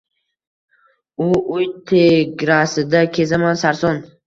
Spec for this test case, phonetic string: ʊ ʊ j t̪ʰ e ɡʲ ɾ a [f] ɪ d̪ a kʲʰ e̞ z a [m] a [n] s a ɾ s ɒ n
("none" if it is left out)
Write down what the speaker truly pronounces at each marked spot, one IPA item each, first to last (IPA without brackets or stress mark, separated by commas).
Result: s, m, n